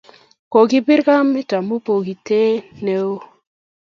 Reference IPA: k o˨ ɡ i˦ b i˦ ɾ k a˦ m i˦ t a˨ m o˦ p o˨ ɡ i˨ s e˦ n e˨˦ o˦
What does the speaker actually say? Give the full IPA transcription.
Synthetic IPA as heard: k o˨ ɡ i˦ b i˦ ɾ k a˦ m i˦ t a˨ m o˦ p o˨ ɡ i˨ t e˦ n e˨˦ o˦